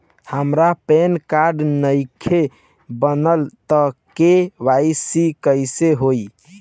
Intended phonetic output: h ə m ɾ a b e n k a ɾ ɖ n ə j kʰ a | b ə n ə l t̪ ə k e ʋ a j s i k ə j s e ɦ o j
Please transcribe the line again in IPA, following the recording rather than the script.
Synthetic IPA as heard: h ə m ɾ a p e n k a ɾ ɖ n ə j kʰ e | b ə n ə l t̪ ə k e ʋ a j s i k ə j s e ɦ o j